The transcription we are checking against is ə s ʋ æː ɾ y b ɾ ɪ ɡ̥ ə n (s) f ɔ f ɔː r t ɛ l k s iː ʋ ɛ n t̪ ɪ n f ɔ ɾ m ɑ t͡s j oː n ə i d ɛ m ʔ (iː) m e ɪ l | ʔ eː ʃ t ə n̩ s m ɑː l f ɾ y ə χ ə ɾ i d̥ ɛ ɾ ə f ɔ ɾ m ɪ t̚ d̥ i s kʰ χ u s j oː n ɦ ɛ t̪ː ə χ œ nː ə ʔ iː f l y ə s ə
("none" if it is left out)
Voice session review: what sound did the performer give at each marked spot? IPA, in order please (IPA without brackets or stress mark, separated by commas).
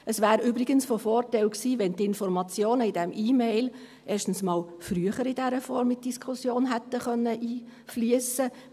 s, iː